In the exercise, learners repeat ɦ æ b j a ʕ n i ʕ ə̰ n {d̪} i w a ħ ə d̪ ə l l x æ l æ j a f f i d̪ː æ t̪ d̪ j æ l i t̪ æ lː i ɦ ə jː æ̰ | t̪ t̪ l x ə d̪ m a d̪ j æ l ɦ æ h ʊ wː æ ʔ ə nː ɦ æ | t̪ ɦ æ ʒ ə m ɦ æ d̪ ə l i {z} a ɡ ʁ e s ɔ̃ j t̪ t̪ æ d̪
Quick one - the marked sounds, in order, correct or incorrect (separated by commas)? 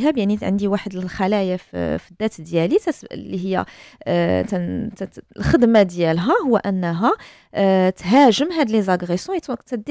correct, correct